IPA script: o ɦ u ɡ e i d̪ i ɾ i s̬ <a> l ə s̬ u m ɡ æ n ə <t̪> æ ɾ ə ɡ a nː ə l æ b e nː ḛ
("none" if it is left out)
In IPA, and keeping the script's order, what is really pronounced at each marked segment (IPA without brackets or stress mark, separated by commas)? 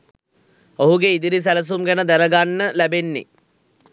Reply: æ, d̪